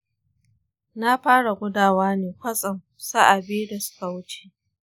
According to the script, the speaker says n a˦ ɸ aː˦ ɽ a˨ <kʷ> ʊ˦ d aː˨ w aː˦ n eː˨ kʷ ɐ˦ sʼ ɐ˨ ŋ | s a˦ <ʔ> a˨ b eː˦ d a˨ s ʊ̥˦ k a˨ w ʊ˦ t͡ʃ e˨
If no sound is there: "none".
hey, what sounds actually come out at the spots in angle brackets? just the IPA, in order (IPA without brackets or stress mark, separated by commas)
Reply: ɡʷ, ʔ